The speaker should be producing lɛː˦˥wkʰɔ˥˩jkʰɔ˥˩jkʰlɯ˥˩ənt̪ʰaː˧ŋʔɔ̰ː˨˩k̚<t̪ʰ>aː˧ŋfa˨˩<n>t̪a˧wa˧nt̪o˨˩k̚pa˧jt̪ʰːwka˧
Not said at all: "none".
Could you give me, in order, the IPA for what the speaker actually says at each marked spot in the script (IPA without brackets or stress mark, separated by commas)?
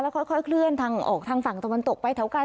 t̪ʰ, ŋ